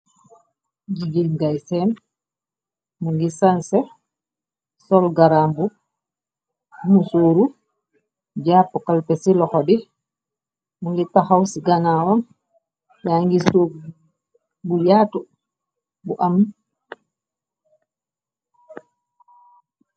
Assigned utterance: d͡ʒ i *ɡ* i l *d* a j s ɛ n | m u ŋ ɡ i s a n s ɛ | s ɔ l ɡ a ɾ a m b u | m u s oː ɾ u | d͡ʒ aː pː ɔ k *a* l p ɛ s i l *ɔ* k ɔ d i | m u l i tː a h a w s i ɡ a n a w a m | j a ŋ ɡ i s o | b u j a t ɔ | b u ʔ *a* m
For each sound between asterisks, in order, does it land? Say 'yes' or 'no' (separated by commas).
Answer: yes, no, yes, yes, yes